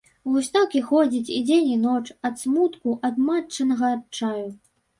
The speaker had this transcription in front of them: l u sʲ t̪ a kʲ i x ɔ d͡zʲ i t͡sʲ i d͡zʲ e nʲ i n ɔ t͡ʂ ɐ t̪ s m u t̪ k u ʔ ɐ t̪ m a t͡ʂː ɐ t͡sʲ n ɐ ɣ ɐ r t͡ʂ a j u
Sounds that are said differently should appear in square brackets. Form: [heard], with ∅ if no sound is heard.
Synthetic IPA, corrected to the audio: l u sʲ t̪ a kʲ i x ɔ d͡zʲ i t͡sʲ i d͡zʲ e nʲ i n ɔ t͡ʂ ɐ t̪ s m u t̪ k u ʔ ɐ [d̪] m a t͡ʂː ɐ [∅] n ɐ ɣ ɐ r t͡ʂ a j u